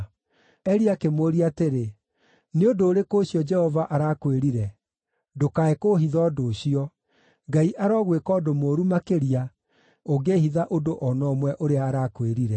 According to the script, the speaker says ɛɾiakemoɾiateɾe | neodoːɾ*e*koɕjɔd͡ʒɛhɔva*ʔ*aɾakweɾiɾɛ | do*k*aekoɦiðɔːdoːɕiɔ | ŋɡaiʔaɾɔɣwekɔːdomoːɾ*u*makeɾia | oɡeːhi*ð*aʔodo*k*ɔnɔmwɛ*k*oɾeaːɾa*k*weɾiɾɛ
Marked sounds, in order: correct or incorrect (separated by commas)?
correct, correct, correct, correct, correct, incorrect, incorrect, correct